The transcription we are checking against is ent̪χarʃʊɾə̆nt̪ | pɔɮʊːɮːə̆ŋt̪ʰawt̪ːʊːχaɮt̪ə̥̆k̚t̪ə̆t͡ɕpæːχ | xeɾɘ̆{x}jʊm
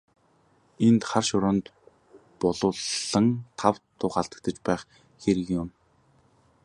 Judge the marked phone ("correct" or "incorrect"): incorrect